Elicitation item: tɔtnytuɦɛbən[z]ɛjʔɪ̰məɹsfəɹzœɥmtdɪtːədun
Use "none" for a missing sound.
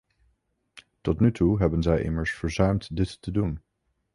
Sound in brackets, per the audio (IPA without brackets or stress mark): z